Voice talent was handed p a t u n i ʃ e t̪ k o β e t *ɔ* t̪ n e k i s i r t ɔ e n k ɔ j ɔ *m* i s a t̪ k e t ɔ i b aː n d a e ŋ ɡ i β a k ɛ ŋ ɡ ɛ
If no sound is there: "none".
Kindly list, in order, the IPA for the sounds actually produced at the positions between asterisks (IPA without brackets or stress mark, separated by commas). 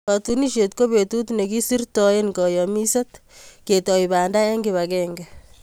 u, m